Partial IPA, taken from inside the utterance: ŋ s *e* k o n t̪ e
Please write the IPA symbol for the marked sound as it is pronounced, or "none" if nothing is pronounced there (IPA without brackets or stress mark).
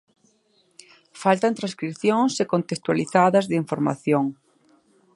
e